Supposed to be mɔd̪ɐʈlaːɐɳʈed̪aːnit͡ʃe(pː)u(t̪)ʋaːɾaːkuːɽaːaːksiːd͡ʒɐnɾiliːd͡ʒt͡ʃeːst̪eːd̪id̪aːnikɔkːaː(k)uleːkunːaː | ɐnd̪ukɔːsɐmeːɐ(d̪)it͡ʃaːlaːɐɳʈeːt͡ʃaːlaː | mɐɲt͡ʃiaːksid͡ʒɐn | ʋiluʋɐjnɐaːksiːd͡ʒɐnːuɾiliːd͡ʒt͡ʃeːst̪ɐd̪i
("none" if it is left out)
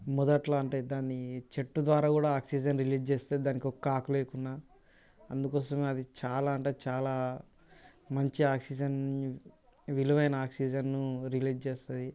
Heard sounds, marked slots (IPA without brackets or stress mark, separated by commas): ʈː, d̪, k, d̪